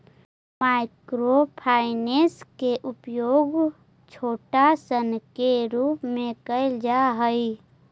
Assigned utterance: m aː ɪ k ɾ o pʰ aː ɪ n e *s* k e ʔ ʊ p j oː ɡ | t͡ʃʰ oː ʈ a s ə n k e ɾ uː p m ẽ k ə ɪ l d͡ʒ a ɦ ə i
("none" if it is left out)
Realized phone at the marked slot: s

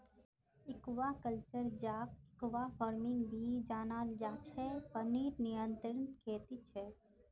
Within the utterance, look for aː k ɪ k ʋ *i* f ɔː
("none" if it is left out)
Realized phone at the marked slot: a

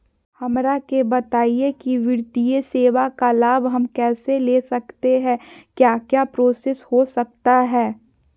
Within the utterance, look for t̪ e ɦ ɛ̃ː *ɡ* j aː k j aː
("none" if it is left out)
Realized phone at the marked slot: k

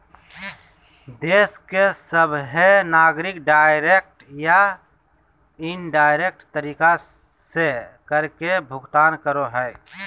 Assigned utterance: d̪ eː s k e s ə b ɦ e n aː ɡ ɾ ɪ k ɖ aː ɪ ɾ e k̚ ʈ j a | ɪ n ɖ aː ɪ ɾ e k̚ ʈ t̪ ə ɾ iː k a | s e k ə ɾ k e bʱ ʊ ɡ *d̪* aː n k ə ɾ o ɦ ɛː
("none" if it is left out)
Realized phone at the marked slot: t̪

